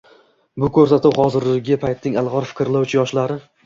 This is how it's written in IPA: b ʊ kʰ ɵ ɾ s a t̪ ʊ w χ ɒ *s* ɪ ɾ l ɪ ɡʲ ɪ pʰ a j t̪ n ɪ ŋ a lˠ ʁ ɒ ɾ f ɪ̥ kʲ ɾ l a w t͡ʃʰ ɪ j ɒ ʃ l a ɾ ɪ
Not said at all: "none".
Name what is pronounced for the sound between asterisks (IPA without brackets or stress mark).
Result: z